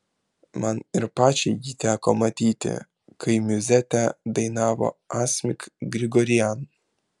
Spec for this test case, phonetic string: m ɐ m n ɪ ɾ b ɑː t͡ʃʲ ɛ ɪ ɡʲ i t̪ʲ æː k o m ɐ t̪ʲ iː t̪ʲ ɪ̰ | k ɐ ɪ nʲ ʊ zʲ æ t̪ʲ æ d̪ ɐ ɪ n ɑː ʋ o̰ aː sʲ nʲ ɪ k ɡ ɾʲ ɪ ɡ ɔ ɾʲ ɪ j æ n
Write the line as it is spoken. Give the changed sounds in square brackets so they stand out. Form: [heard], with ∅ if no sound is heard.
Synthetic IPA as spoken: m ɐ [∅] n ɪ ɾ [p] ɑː t͡ʃʲ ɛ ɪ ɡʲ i t̪ʲ æː k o m ɐ t̪ʲ iː t̪ʲ ɪ̰ | k ɐ ɪ [mʲ] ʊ zʲ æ t̪ʲ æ d̪ ɐ ɪ n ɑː ʋ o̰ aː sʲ [mʲ] ɪ k ɡ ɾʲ ɪ ɡ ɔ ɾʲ ɪ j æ n